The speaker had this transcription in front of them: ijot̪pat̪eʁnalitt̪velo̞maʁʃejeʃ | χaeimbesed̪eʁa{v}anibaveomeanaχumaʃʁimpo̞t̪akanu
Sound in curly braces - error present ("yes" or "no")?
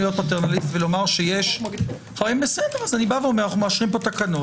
yes